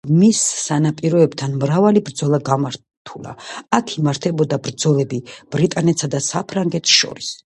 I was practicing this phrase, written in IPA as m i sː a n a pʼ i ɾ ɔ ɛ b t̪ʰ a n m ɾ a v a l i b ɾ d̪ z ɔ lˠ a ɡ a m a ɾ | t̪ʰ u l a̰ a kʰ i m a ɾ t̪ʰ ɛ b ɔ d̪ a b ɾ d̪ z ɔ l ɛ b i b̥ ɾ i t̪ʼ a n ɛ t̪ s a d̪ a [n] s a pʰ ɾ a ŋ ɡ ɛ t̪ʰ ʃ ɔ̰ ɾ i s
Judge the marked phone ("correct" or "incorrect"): incorrect